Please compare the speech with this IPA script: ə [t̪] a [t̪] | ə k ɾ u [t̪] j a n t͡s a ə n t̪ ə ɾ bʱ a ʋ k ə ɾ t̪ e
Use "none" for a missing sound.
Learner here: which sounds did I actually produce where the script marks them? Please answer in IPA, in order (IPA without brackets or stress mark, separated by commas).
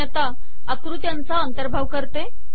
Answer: t̪, none, t̪